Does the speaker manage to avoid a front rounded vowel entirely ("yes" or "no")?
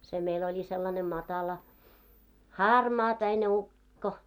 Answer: yes